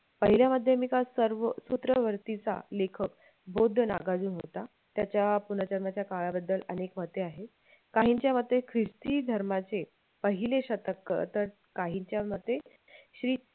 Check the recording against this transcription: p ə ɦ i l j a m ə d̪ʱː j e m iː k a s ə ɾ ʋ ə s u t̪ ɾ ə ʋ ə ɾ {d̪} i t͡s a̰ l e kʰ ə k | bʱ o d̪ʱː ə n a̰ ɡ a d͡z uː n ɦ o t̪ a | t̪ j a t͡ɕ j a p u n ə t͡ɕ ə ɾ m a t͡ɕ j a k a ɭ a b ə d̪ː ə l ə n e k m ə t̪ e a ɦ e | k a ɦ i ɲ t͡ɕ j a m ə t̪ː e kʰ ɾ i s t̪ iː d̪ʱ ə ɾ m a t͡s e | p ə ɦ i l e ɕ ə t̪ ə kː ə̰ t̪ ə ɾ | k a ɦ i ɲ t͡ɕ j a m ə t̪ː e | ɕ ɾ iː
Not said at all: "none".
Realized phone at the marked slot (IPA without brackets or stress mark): t̪